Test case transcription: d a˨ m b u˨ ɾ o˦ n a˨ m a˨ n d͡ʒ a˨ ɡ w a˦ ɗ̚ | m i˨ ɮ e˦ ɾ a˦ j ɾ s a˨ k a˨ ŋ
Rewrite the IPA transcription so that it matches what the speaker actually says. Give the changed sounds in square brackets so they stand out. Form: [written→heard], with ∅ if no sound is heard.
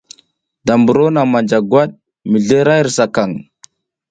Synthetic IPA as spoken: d a˨ m b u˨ ɾ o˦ n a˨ m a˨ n d͡ʒ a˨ ɡ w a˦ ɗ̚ | m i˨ ɮ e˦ ɾ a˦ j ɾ s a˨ k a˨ ŋ